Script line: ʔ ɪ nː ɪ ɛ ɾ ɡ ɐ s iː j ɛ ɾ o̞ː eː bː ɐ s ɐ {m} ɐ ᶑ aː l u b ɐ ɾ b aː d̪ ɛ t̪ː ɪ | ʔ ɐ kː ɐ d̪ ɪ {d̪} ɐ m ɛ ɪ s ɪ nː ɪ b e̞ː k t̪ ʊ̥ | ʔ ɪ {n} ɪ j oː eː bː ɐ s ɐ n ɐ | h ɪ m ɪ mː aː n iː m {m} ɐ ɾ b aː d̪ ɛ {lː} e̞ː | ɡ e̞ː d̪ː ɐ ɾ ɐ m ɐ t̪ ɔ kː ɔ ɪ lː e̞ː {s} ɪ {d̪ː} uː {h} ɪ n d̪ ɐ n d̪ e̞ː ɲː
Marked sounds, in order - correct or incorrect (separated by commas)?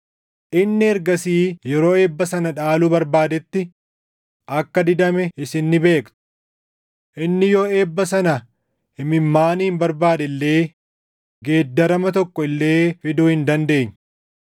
incorrect, correct, incorrect, incorrect, correct, incorrect, incorrect, correct